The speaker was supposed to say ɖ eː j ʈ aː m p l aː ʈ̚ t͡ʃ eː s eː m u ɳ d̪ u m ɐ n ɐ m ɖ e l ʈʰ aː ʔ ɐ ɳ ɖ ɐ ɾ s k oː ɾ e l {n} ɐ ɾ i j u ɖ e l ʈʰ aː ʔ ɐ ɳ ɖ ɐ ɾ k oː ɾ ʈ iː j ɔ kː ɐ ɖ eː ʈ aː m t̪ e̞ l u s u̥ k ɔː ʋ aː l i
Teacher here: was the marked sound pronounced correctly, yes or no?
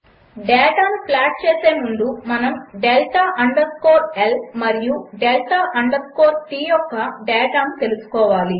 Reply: no